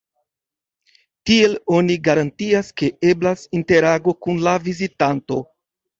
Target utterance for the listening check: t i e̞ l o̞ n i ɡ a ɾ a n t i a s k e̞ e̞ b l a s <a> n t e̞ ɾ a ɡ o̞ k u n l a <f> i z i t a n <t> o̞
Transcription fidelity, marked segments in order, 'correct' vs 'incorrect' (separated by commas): incorrect, incorrect, correct